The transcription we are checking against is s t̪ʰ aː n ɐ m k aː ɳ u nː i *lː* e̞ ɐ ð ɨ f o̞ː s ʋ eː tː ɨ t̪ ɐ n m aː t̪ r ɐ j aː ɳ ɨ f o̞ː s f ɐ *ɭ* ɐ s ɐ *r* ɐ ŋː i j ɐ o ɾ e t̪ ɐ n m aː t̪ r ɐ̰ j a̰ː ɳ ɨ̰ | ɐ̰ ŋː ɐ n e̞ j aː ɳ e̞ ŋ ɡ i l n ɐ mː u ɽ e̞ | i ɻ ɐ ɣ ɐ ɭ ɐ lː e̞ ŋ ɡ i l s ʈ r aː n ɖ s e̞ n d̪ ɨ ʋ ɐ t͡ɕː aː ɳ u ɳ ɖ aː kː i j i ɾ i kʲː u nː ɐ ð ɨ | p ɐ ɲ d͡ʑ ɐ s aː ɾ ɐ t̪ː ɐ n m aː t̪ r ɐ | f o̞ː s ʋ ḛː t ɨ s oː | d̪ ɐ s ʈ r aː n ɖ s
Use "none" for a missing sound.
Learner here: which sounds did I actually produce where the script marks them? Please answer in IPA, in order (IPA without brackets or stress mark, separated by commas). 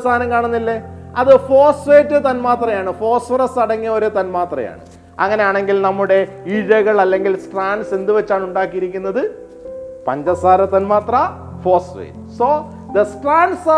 lː, r, ɽ